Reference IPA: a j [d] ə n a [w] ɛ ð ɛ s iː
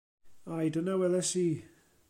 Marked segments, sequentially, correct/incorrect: correct, correct

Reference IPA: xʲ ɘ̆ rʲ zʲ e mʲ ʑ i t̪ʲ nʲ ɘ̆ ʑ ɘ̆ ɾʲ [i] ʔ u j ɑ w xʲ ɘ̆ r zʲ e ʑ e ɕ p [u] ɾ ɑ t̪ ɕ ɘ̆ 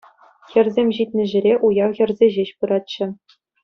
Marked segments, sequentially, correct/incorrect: incorrect: e, incorrect: ɯ

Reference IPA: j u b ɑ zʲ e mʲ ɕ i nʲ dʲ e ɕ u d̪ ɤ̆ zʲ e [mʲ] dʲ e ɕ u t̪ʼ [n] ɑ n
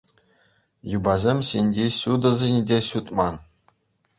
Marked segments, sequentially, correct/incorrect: incorrect: nʲ, incorrect: m

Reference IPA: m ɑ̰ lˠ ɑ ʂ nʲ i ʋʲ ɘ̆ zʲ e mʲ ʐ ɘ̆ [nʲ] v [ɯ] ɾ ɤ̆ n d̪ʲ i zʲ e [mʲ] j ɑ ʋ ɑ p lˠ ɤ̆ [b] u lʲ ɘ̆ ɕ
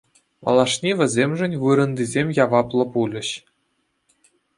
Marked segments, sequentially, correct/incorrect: correct, correct, correct, incorrect: p

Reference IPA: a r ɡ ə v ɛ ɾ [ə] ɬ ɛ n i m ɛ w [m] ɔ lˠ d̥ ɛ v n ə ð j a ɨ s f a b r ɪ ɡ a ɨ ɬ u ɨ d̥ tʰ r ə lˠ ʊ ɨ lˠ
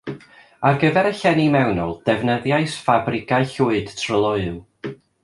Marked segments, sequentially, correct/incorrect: correct, incorrect: n

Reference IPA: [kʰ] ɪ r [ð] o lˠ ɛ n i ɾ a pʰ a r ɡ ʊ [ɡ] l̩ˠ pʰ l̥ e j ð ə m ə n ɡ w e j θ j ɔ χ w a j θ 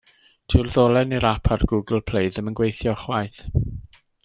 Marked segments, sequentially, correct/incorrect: incorrect: tʰ, correct, correct

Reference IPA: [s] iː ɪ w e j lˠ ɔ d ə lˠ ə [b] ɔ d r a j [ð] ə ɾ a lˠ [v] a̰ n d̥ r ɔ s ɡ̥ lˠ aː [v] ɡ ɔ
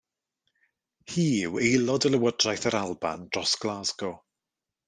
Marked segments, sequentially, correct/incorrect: incorrect: h, incorrect: w, incorrect: θ, incorrect: b, incorrect: z

